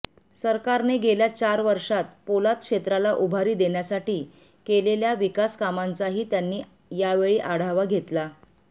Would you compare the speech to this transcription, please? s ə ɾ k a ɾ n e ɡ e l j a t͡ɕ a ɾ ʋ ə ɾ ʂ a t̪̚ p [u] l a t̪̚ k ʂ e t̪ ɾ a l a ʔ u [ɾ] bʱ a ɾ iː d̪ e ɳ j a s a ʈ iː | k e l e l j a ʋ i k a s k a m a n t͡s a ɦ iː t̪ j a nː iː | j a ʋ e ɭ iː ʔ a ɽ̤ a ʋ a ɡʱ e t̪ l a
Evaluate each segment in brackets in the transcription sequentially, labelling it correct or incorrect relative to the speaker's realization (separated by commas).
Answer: incorrect, incorrect